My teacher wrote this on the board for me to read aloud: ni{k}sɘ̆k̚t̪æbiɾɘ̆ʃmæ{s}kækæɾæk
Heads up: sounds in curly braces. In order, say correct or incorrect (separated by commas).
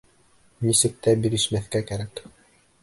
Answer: incorrect, incorrect